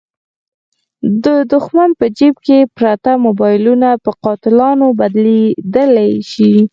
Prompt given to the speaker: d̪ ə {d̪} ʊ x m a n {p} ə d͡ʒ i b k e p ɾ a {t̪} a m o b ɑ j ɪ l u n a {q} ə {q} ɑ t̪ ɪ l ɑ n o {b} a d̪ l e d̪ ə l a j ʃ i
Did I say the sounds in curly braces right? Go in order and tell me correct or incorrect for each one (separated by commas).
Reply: correct, correct, correct, incorrect, correct, correct